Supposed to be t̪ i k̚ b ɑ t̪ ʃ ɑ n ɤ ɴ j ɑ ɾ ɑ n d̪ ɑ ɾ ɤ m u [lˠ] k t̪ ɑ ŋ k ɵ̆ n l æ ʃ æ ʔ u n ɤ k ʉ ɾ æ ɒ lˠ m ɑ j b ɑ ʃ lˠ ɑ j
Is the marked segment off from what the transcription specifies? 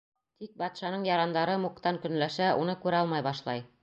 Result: yes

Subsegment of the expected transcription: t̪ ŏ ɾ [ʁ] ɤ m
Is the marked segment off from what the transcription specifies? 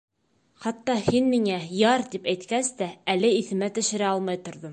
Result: yes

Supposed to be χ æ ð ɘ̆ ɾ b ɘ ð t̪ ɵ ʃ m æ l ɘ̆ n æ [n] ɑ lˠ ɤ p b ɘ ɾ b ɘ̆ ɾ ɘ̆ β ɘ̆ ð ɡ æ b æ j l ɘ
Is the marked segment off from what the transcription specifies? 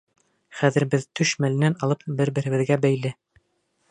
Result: no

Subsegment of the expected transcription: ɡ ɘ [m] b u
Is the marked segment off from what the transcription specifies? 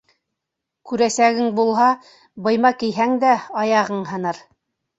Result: yes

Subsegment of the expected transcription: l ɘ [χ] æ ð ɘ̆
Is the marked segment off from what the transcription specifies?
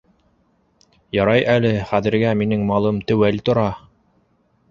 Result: no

